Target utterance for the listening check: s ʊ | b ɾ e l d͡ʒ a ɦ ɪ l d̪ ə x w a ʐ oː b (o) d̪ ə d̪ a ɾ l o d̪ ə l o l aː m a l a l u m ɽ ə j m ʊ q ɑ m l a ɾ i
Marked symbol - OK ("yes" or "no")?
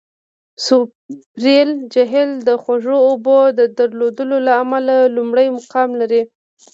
yes